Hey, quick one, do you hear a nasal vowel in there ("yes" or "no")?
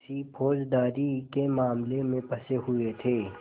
yes